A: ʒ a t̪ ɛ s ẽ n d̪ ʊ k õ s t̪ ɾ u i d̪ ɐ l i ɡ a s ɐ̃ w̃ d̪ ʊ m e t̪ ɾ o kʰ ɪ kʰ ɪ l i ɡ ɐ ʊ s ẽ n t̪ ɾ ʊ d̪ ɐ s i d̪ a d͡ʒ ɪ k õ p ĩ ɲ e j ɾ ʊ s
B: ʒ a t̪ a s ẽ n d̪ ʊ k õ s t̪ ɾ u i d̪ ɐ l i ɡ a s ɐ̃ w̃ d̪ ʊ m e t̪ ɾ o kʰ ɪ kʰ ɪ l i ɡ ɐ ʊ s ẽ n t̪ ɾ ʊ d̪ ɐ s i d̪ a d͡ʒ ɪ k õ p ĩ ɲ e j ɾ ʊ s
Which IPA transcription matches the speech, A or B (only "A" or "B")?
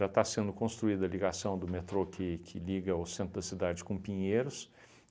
B